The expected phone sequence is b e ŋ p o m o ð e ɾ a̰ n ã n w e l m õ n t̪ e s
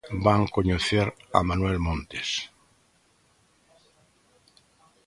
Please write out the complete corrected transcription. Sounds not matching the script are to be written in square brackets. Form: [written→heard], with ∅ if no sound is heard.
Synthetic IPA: b [e→a] ŋ [p→k] o [m→ɲ] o [ð→θ] e ɾ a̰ [n→m] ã n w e l m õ n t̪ e s